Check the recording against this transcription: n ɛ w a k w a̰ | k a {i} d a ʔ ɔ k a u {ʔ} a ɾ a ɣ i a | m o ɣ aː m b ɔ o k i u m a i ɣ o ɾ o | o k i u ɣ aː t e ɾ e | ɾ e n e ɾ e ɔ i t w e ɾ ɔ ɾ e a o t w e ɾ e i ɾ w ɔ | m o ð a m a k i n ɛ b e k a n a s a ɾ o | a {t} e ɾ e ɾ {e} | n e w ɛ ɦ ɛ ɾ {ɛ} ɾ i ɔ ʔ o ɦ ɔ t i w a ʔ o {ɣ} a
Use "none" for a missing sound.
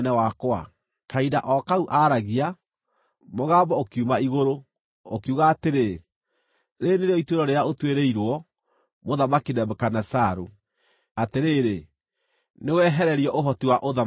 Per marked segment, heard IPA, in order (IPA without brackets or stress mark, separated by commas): i, ʔ, t, e, ɛ, ð